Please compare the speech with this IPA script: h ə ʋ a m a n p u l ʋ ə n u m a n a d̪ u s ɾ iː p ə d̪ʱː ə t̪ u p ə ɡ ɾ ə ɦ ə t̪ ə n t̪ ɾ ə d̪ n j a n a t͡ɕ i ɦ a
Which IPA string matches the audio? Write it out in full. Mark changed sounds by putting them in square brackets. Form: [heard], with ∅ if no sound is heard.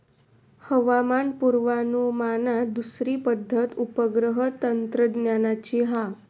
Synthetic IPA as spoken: h ə ʋ a m a n p u [ɾ] ʋ [a] n u m a n a d̪ u s ɾ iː p ə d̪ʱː ə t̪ u p ə ɡ ɾ ə ɦ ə t̪ ə n t̪ ɾ ə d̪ n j a n a t͡ɕ i ɦ a